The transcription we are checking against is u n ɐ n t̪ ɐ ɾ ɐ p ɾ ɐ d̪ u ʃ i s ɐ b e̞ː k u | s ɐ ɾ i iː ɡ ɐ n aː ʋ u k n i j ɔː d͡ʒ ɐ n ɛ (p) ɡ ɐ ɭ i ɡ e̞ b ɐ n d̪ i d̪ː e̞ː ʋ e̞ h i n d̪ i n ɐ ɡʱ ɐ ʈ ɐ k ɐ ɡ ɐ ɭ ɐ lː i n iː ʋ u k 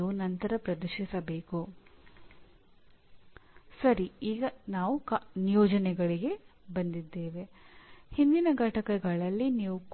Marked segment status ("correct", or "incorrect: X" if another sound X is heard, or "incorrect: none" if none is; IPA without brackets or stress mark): incorrect: none